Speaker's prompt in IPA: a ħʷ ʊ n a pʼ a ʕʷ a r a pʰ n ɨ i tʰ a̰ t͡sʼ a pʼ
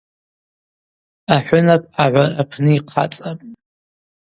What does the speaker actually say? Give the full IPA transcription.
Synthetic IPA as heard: a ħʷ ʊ n a pʼ a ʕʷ a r a pʰ n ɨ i qʰ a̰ t͡sʼ a pʼ